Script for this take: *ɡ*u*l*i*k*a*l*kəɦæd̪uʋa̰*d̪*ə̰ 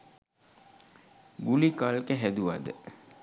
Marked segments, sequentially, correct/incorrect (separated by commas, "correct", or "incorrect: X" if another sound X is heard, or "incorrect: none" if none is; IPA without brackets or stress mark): correct, correct, correct, correct, correct